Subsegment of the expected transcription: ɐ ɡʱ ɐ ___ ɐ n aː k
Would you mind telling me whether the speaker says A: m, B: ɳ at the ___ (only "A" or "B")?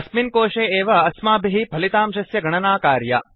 B